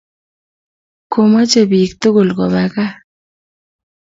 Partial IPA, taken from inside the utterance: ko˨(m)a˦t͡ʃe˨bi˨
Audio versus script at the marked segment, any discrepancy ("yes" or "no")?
no